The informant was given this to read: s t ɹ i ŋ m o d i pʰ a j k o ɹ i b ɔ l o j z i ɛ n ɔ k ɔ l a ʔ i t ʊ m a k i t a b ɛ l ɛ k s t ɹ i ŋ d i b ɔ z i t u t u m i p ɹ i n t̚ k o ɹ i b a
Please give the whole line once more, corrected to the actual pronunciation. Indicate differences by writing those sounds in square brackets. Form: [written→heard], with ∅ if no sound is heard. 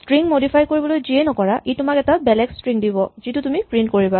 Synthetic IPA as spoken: s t ɹ i ŋ m o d i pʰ a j k o ɹ i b ɔ l o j z i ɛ n ɔ k ɔ [l→ɹ] a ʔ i t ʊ m a k [i→ɛ] t a b ɛ l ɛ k s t ɹ i ŋ d i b ɔ z i t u t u m i p ɹ i n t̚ k o ɹ i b a